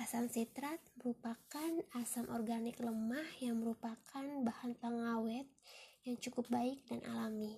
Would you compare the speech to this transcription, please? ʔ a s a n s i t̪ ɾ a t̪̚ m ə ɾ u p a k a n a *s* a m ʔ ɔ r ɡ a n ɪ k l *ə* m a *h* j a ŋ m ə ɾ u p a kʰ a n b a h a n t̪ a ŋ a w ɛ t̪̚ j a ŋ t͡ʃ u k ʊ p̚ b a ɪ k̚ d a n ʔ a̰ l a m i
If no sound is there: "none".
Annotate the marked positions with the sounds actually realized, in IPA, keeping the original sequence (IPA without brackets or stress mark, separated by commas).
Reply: s, ə, h